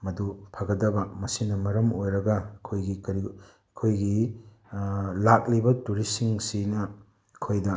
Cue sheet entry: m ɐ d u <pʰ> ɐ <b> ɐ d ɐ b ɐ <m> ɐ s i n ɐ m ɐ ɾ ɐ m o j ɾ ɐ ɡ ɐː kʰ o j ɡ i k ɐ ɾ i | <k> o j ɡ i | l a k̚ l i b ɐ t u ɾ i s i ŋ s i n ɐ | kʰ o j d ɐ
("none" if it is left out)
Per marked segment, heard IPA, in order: pʰ, ɡ, m, kʰ

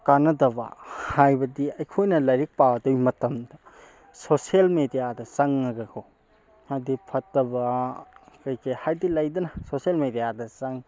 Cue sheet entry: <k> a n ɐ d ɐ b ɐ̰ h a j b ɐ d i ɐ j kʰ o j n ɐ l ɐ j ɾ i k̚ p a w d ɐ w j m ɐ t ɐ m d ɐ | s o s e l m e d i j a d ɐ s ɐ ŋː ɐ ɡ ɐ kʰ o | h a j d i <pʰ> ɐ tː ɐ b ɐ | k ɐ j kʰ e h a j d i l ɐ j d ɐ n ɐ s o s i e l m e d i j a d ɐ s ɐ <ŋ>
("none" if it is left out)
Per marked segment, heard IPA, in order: k, pʰ, ŋ

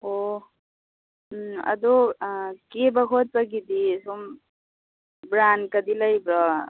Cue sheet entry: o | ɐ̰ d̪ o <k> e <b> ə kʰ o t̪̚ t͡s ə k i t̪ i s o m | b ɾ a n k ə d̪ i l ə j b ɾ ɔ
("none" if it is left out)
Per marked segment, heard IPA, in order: k, b

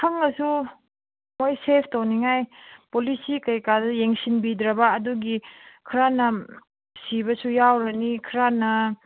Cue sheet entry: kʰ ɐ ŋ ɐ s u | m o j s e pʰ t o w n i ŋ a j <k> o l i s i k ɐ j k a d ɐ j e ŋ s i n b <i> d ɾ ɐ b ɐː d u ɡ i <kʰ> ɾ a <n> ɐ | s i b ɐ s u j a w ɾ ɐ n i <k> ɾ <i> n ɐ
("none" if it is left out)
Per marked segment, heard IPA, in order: p, i, kʰ, n, kʰ, a

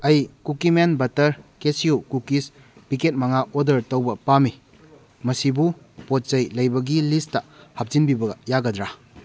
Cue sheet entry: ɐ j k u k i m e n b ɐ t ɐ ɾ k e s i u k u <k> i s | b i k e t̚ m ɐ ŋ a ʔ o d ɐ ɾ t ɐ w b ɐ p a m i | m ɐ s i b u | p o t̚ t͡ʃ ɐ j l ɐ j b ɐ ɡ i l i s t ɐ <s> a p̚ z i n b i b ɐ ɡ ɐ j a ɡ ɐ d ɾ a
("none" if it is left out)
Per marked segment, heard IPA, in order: k, h

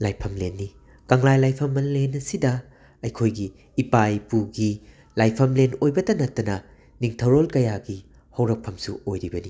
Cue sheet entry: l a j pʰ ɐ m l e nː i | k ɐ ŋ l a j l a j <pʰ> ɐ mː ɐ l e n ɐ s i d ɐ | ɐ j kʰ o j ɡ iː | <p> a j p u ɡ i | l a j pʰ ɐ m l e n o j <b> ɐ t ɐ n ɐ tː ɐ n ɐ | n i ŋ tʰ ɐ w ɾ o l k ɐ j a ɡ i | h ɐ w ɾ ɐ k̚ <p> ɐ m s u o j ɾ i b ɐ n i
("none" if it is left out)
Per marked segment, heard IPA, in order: pʰ, p, b, pʰ

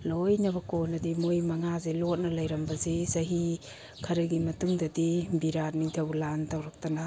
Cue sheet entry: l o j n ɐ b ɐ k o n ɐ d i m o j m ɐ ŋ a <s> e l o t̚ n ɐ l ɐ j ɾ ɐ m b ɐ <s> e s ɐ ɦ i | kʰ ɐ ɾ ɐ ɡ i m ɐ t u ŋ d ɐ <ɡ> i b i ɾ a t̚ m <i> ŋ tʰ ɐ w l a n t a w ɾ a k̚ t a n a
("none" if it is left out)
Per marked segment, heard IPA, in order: z, z, d, i

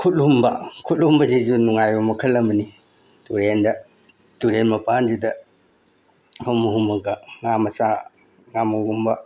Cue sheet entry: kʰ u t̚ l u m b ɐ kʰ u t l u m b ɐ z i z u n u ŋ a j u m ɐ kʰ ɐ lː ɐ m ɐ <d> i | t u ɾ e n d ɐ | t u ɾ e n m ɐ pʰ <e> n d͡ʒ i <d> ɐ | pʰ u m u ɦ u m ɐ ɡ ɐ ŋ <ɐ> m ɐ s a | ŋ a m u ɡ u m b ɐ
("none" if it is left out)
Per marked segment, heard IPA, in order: n, a, d, a

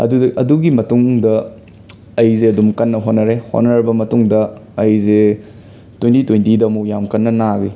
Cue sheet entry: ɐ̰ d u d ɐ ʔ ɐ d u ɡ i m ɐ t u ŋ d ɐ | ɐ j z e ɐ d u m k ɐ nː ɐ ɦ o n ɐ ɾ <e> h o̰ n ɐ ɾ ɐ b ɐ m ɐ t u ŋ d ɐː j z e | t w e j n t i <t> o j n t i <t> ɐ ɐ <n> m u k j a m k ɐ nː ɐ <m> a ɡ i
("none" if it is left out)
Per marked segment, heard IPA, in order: e, t, d, none, n

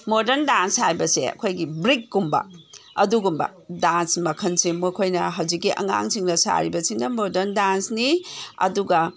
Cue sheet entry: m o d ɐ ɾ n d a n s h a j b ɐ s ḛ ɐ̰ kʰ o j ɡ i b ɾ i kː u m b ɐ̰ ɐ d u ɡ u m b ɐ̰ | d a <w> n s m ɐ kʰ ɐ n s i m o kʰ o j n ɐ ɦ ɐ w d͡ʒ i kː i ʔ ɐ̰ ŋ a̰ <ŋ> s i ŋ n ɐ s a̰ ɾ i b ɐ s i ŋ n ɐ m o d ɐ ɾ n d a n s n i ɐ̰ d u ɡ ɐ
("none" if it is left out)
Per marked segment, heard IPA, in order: none, ŋ

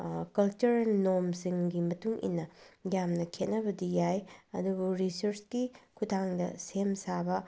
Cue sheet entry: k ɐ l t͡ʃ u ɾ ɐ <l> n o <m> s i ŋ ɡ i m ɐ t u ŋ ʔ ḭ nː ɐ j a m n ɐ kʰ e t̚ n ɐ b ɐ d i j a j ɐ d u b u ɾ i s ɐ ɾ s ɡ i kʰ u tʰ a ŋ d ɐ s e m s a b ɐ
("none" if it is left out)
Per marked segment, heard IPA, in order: l, m

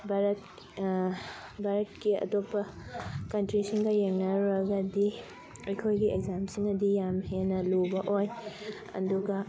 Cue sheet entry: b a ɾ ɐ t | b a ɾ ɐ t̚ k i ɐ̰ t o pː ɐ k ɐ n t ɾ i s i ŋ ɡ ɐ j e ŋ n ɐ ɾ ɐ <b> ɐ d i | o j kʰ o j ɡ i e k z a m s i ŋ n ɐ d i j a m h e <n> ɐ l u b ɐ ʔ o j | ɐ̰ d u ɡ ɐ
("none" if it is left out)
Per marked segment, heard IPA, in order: ɡ, n

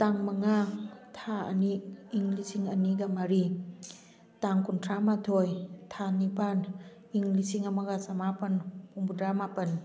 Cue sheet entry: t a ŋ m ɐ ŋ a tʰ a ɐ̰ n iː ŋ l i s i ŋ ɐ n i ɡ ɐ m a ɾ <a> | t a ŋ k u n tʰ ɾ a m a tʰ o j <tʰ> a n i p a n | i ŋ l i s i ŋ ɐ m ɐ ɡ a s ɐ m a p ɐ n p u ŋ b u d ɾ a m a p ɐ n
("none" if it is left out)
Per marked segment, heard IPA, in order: i, tʰ

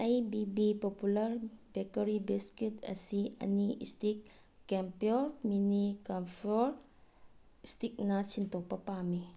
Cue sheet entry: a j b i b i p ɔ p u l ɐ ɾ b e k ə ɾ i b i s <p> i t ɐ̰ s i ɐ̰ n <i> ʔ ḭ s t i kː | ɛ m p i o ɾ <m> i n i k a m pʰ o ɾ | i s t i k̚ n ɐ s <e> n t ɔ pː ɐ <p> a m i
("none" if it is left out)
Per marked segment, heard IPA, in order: k, i, m, i, p

